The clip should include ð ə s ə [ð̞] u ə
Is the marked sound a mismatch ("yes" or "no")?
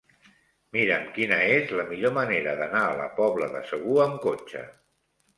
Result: yes